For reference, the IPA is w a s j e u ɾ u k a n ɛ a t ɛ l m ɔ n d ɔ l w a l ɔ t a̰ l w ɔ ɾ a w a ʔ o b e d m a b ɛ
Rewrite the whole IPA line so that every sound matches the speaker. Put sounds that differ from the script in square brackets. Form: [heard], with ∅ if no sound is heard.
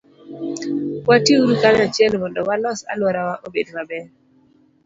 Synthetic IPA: w a [t] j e u ɾ u k a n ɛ a [t͡ʃ] ɛ l m ɔ n d ɔ [∅] w a l ɔ [s] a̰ l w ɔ ɾ a w a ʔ o b e d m a b ɛ